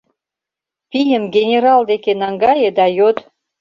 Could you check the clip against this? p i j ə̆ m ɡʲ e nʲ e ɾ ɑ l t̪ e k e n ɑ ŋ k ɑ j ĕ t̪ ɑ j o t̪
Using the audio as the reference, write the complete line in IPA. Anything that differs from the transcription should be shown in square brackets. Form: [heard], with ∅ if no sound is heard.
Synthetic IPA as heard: p i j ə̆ m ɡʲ e nʲ e ɾ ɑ l [d̪] e k e n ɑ ŋ [ɡ] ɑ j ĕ [d̪] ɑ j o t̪